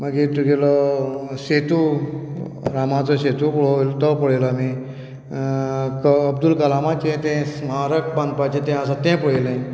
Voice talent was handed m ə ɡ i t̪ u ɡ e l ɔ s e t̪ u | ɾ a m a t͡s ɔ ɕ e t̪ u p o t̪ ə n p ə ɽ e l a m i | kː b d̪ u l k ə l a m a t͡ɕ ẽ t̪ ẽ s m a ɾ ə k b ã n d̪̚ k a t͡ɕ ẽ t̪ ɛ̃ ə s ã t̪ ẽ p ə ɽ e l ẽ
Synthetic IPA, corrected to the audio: m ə ɡ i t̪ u ɡ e l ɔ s e t̪ u | ɾ a m a t͡s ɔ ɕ e t̪ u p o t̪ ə p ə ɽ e l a m i | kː b d̪ u l k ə l a m a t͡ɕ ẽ t̪ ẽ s m a ɾ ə k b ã n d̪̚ p a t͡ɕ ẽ t̪ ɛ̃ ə s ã t̪ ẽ p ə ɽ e l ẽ